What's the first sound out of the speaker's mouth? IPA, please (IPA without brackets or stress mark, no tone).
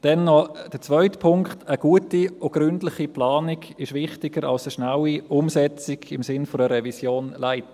d̥